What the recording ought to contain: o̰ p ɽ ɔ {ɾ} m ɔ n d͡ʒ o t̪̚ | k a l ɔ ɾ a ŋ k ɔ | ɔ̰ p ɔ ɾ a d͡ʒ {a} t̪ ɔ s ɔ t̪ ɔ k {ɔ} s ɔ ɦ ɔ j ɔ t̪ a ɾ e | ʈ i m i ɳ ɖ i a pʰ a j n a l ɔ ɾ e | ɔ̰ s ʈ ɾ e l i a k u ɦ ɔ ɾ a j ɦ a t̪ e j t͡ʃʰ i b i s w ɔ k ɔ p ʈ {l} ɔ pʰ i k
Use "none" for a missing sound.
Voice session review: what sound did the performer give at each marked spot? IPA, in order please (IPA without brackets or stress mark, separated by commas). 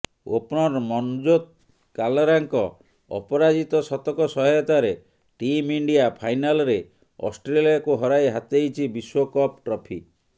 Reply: ɾ, i, ɔ, ɾ